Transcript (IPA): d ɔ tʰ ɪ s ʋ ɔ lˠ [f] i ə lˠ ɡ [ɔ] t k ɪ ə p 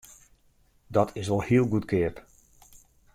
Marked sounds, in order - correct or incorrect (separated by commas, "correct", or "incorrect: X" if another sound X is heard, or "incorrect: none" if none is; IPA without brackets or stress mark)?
incorrect: h, incorrect: u